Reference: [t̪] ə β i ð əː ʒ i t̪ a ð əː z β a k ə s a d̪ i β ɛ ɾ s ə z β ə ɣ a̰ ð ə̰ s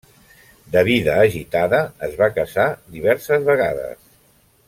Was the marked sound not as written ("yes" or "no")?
yes